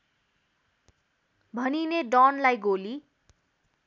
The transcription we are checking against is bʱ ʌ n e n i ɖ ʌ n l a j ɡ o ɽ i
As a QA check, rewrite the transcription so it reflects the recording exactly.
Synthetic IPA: bʱ ʌ n i n e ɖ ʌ n l a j ɡ o l i